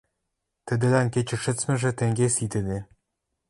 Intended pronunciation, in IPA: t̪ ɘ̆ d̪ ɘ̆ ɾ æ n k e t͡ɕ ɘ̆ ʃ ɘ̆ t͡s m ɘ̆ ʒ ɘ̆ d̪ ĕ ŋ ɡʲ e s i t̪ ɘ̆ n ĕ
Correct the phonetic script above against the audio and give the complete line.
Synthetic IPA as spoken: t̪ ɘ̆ d̪ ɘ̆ l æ n k e t͡ɕ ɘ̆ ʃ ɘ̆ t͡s m ɘ̆ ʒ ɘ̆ t̪ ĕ ŋ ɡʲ e s i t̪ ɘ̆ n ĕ